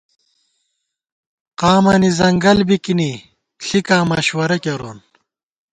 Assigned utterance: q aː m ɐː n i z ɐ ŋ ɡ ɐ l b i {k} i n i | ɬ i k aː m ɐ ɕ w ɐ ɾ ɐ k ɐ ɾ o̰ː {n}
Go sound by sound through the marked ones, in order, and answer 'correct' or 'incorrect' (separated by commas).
correct, correct